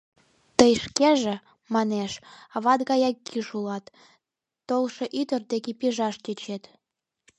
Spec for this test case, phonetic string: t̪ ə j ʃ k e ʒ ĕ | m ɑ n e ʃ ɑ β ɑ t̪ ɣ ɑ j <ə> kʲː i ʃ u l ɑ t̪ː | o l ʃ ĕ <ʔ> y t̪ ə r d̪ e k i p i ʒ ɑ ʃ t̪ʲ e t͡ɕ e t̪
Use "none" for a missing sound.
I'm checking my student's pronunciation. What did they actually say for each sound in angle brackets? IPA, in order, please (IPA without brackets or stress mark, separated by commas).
ɑ, ʔ